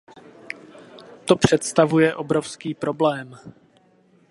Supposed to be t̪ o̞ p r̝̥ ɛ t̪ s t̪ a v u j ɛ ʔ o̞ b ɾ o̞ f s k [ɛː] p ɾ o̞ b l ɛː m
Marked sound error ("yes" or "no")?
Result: yes